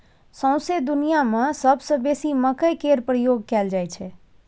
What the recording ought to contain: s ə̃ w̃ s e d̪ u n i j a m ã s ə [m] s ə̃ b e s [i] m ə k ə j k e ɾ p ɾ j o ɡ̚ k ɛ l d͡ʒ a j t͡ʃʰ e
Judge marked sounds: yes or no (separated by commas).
no, yes